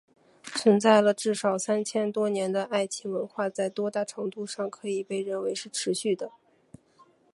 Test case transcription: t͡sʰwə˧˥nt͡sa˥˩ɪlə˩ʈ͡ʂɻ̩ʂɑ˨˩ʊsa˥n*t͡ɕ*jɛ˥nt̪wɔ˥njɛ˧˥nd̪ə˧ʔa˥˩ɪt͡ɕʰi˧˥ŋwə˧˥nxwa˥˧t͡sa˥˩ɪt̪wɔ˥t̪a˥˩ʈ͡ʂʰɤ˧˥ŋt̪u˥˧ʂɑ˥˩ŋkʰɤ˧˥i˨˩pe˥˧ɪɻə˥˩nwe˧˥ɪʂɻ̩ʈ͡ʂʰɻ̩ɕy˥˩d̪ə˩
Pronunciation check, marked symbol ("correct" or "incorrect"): incorrect